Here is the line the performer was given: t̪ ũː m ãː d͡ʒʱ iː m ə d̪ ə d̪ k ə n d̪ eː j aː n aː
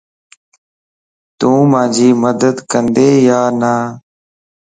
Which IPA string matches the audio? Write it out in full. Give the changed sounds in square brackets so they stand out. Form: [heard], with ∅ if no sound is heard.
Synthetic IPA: t̪ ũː m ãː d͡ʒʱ iː m ə d̪ ə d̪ k ə n d̪ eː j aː n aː